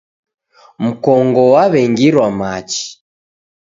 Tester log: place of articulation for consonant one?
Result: labial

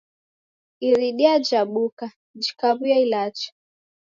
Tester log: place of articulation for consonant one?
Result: alveolar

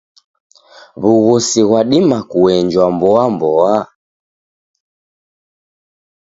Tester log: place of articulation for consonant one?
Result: labial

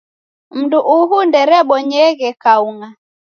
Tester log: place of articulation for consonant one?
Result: labial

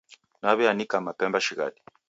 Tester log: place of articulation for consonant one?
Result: alveolar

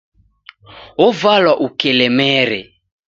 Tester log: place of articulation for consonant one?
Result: labial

